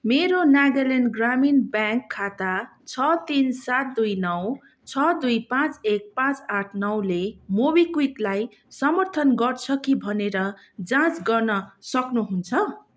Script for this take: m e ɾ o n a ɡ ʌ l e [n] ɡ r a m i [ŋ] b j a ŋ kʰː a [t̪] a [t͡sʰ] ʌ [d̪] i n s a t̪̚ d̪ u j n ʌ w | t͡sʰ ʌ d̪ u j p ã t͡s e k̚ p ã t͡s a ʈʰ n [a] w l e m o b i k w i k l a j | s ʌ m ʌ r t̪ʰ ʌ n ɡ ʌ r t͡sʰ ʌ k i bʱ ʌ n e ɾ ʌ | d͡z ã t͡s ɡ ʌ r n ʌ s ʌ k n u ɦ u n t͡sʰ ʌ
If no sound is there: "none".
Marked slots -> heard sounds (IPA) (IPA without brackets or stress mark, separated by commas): n, n, t̪, t͡sʰ, t̪, ʌ